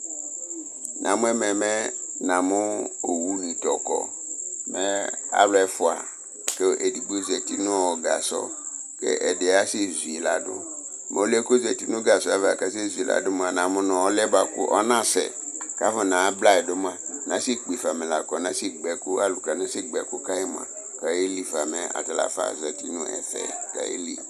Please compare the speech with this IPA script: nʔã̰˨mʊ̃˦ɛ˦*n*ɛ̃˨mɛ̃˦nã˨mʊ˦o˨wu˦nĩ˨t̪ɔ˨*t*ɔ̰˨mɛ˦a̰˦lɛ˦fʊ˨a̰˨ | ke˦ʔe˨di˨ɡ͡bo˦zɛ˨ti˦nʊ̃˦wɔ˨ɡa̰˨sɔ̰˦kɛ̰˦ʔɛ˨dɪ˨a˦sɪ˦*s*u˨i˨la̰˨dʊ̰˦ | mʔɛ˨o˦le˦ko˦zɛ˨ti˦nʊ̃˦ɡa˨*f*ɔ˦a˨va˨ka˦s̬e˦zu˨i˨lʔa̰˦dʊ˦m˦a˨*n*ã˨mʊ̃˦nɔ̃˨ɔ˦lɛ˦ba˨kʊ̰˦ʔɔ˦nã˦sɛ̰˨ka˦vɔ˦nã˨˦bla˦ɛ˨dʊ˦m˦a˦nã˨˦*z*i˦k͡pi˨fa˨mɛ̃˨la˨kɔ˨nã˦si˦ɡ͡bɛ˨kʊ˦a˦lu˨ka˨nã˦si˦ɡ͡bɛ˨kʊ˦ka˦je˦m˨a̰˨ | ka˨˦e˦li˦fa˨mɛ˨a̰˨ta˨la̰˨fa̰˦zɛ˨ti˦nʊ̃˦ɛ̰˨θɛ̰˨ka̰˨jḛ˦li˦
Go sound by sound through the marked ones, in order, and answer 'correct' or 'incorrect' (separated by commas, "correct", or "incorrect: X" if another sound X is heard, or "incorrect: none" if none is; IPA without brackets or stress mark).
incorrect: m, incorrect: k, incorrect: z, incorrect: s, correct, incorrect: s